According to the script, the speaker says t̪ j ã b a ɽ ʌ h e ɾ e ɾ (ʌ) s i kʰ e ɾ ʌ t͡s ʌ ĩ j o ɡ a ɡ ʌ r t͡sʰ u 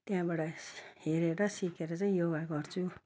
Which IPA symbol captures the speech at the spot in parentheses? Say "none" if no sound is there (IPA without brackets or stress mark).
ʌ